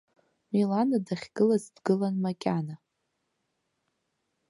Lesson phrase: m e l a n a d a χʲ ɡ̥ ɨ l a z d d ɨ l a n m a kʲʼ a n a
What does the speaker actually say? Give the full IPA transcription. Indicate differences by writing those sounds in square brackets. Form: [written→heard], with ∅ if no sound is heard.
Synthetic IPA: m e l a n a d a χʲ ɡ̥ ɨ l a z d [d→ɡ] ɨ l a n m a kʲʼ a n a